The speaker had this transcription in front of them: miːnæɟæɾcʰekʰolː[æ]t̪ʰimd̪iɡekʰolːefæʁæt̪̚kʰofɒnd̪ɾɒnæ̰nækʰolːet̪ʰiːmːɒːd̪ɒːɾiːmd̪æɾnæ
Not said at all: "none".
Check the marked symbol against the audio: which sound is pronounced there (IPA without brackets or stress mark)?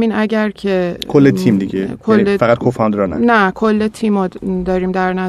e